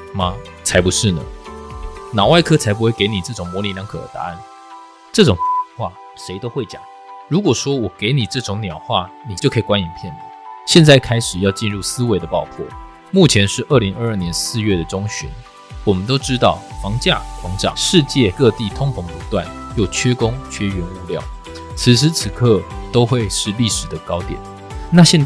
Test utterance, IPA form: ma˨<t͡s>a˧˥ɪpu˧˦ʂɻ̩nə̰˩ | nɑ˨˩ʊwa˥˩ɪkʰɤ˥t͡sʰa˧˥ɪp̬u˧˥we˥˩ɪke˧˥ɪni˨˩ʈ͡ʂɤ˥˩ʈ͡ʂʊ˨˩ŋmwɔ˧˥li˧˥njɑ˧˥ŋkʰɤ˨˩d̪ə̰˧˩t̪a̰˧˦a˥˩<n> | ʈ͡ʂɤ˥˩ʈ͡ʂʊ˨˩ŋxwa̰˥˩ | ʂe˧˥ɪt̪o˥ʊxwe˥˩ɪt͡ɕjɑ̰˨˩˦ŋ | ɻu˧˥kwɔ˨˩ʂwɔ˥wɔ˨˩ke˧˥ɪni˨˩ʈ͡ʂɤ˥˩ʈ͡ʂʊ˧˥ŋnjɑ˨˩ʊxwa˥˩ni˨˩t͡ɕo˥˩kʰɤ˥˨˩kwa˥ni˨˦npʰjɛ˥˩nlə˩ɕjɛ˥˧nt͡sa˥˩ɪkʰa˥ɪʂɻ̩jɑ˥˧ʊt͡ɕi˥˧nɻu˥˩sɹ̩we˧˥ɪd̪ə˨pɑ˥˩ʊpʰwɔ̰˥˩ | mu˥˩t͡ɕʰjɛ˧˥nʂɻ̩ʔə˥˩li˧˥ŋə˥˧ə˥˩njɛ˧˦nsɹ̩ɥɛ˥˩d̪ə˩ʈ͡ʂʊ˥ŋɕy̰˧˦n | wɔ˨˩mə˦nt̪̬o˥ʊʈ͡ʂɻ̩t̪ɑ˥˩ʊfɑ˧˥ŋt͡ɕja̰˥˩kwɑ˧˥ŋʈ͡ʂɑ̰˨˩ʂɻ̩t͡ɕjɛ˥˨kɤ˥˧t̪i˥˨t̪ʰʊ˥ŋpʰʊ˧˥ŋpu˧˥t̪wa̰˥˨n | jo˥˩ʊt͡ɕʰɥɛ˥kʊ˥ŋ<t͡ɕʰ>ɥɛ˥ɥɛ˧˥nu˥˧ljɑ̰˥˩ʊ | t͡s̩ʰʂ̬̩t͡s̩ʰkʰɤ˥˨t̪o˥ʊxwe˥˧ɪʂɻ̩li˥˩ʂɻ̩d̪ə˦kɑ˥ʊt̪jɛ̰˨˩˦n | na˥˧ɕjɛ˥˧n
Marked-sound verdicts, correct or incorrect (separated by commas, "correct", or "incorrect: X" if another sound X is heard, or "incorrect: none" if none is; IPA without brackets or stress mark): incorrect: t͡sʰ, correct, correct